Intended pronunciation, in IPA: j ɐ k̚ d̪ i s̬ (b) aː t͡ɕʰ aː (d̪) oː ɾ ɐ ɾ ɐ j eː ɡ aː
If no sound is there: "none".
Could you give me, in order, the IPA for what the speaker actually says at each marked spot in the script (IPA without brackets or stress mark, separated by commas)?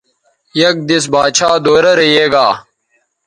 b, d̪